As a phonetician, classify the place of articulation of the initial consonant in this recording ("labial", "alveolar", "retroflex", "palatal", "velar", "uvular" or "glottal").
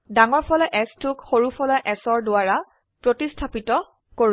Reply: alveolar